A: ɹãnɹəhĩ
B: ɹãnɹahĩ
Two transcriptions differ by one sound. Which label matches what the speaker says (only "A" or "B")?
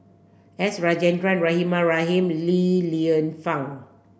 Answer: B